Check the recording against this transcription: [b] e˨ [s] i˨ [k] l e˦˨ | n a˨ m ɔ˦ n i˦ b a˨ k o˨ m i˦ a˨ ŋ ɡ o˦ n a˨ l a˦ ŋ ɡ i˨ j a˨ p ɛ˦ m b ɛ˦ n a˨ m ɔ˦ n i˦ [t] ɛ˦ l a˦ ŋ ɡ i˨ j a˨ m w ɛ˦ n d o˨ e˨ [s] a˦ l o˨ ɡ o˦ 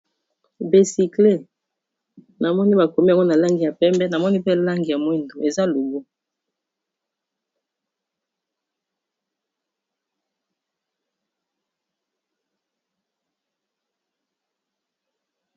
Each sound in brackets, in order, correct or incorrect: correct, correct, correct, incorrect, incorrect

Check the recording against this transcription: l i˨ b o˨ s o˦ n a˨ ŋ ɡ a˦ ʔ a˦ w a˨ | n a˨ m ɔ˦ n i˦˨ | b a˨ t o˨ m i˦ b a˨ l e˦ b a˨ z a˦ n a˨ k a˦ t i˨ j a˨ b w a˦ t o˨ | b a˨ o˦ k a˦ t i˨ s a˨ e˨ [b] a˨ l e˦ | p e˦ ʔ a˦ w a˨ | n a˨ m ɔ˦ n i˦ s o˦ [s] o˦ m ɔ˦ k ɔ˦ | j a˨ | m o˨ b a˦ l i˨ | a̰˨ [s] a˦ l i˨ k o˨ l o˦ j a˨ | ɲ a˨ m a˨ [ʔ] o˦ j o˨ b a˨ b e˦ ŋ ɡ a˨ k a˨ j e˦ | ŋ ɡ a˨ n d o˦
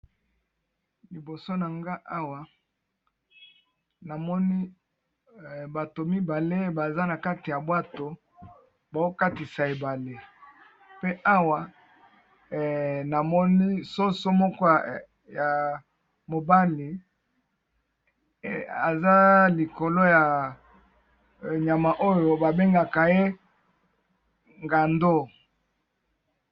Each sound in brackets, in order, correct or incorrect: correct, correct, incorrect, correct

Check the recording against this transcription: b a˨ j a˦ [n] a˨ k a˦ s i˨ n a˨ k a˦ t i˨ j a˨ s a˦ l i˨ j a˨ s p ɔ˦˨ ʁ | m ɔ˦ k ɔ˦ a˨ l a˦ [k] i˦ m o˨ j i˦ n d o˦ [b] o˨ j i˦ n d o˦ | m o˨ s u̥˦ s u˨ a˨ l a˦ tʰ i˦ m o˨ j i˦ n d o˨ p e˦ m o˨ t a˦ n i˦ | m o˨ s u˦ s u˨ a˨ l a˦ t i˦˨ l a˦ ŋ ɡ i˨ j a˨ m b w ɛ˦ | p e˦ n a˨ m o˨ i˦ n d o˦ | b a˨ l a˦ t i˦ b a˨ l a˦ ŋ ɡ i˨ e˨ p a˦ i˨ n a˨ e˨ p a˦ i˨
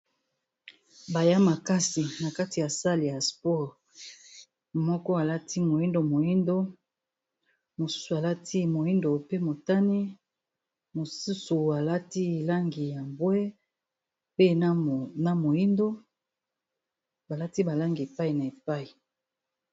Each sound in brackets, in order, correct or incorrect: incorrect, incorrect, incorrect

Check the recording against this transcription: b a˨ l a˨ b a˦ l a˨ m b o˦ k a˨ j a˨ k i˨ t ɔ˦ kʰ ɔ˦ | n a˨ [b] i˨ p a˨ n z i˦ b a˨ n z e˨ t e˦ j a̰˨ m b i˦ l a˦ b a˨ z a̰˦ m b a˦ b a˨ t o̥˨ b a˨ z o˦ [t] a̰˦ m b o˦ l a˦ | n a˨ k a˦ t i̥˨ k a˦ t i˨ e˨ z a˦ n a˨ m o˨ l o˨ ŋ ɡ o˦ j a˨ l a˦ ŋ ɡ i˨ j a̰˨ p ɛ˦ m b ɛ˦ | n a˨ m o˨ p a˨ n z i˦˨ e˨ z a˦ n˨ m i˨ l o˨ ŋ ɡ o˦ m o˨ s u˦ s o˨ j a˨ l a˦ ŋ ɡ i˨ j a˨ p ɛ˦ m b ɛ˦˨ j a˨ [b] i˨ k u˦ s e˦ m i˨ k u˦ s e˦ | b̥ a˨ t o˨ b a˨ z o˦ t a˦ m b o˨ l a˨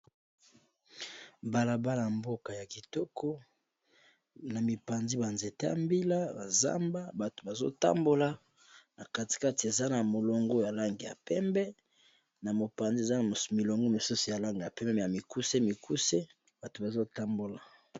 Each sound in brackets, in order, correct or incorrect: incorrect, correct, incorrect

